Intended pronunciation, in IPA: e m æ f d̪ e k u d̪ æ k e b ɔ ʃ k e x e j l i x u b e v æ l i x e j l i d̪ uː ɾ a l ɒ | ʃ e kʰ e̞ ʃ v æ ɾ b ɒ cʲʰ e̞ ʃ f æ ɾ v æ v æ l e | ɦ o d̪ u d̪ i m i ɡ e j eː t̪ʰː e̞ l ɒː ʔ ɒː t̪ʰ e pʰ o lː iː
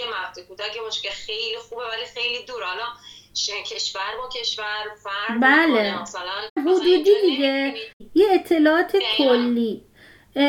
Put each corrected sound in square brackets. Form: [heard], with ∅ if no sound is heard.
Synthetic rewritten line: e m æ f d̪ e k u d̪ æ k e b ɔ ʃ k e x e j l i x u b e v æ l i x e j l i d̪ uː ɾ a l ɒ | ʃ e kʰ e̞ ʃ v æ ɾ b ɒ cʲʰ e̞ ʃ [v] æ ɾ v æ [b] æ l e | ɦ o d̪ u d̪ i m i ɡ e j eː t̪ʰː e̞ l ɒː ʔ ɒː t̪ʰ e [kʰ] o lː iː